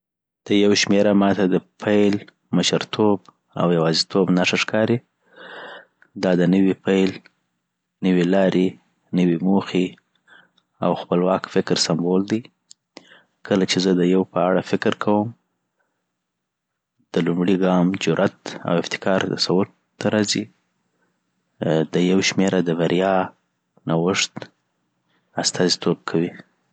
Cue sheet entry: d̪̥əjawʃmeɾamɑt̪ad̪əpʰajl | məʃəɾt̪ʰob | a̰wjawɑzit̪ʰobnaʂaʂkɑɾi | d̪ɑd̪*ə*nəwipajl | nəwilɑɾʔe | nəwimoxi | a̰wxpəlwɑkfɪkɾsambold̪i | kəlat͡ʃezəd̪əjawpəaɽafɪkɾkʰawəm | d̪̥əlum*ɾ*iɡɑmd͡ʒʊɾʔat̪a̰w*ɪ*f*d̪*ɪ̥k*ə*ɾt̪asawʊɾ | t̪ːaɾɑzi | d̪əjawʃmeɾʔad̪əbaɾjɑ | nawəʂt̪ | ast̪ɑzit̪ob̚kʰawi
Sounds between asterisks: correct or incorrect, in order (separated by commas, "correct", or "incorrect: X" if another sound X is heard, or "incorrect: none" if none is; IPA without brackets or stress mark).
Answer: correct, incorrect: ɽ, correct, incorrect: t̪, incorrect: ɑ